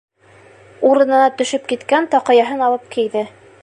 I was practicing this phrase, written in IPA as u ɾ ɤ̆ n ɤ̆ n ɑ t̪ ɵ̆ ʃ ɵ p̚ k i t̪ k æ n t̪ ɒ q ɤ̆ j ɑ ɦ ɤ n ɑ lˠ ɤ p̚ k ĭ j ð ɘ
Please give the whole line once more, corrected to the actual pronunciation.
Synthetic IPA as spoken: u ɾ ɤ̆ n ɤ̆ n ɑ t̪ ɵ̆ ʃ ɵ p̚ k i t̪ k æ n t̪ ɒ q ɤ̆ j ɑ ɦ ɤ n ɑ lˠ ɤ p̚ k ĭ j ð ɘ